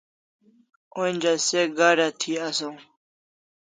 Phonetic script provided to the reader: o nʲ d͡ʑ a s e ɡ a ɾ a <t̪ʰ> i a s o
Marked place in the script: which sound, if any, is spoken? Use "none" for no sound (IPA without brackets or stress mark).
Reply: t̪ʰ